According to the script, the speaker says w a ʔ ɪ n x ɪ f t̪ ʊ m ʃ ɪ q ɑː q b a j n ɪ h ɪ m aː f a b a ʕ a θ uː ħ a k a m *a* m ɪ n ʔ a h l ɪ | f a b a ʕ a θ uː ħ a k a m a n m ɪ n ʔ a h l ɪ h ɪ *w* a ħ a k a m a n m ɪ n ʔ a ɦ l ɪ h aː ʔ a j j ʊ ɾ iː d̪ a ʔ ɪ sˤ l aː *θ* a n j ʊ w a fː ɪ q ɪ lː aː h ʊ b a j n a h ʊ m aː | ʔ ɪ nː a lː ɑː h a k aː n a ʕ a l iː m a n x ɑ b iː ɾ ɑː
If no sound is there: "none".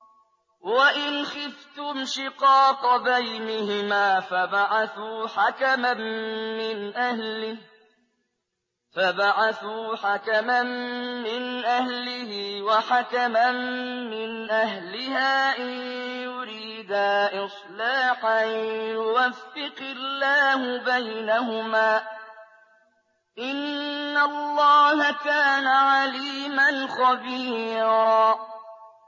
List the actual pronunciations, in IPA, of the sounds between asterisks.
a, w, ħ

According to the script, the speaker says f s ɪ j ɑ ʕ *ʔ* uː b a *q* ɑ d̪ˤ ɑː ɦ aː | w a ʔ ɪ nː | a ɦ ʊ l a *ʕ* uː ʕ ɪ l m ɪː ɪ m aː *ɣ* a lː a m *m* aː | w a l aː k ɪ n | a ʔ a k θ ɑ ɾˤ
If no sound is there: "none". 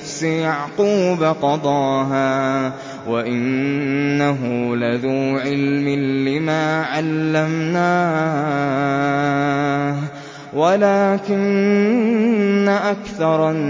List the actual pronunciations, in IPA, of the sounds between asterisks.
q, q, ð, ʕ, n

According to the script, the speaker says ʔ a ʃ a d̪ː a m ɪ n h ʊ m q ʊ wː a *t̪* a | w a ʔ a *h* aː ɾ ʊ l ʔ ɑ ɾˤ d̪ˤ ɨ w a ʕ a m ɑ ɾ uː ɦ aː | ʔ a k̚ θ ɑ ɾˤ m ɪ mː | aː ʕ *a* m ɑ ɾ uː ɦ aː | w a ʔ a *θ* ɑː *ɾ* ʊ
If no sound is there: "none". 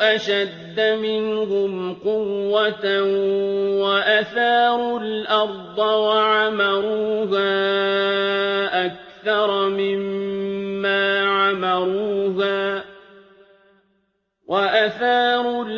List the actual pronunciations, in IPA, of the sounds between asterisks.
t̪, θ, a, θ, ɾ

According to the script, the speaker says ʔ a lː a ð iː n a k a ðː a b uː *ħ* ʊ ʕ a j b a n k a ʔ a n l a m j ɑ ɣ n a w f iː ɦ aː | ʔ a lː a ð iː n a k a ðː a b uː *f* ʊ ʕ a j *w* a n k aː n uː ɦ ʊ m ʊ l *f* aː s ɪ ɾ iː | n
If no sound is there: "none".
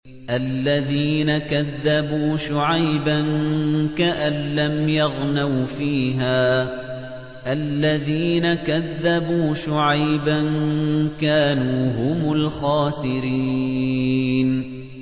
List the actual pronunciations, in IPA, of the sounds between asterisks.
ʃ, ʃ, b, x

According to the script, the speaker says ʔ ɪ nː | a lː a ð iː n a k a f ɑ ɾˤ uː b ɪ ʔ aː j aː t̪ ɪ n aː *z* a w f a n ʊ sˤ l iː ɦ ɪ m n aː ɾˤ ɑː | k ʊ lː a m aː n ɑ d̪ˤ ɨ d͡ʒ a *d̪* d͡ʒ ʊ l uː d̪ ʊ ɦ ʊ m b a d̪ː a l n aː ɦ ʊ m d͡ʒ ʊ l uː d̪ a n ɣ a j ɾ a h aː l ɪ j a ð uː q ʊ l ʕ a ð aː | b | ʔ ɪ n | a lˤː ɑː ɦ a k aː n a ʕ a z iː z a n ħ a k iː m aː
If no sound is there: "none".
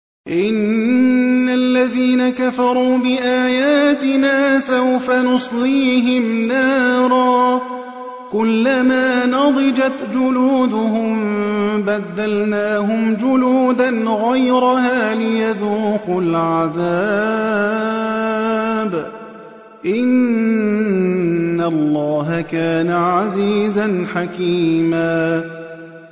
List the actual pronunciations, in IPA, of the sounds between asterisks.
s, t̪

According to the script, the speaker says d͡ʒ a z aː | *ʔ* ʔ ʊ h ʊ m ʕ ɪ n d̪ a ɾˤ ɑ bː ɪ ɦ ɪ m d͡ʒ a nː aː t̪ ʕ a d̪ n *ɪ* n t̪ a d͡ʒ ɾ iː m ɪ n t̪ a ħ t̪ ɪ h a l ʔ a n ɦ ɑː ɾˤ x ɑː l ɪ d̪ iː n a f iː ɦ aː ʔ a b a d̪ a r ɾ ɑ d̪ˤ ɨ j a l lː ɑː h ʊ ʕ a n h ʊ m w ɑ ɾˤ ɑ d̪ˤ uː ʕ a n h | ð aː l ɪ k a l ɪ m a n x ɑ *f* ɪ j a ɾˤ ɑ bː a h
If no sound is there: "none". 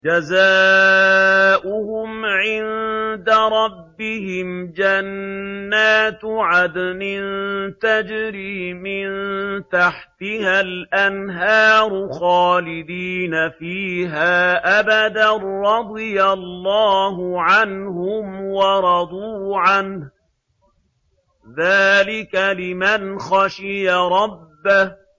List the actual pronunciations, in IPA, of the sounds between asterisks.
ʔ, ɪ, ʃ

